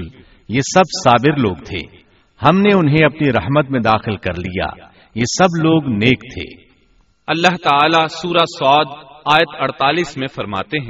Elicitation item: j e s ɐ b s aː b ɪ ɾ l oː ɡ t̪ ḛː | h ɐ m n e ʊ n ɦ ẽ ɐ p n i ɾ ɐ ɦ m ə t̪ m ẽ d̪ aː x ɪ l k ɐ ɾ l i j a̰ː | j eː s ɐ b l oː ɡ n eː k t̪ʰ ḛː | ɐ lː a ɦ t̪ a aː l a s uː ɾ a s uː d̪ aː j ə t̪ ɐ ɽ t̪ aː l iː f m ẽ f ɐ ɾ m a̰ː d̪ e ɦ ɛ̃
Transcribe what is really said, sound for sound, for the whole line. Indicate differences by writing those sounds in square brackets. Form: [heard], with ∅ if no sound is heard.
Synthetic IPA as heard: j e s ɐ b s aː b ɪ ɾ l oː ɡ [t̪ʰ] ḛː | h ɐ m n e ʊ n ɦ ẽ ɐ p n i ɾ ɐ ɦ m ə t̪ m ẽ d̪ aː x ɪ l k ɐ ɾ l i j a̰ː | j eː s ɐ b l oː ɡ n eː k t̪ʰ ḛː | ɐ lː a ɦ t̪ a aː l a s uː ɾ a s [ɔː] d̪ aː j ə t̪ ɐ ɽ t̪ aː l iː [s] m ẽ f ɐ ɾ m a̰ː [t̪] e ɦ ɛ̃